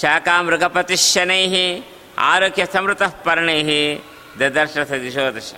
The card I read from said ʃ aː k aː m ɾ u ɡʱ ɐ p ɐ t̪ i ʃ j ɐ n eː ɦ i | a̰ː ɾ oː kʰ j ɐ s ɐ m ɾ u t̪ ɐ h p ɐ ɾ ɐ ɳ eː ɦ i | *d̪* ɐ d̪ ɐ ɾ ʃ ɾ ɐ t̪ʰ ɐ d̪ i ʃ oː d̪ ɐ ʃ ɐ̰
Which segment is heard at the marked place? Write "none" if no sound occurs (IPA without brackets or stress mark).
d̪